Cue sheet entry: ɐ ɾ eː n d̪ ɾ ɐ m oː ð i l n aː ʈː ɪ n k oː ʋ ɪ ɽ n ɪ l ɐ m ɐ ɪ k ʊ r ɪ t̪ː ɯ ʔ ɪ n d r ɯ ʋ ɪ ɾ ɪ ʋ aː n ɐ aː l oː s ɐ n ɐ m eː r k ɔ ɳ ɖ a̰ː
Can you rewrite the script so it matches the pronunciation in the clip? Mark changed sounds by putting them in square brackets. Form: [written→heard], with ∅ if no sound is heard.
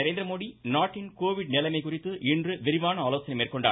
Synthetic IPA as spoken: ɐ ɾ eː n d̪ ɾ ɐ m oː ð i [l→∅] n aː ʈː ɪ n k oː ʋ ɪ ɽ n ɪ l ɐ m ɐ ɪ k ʊ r ɪ t̪ː ɯ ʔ ɪ n d r ɯ ʋ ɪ ɾ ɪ ʋ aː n ɐ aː l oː s ɐ n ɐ m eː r k ɔ ɳ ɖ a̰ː